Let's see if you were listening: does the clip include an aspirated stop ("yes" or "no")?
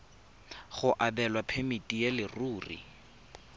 yes